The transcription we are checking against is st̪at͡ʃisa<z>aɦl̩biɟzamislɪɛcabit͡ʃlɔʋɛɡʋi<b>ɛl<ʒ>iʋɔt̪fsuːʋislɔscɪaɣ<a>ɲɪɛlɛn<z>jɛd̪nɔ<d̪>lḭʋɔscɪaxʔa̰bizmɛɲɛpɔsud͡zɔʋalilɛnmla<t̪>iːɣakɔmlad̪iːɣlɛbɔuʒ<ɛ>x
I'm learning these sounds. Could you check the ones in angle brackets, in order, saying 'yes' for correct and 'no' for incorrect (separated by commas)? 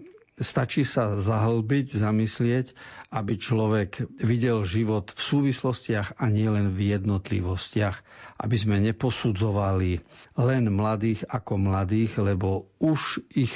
yes, no, yes, yes, no, no, no, no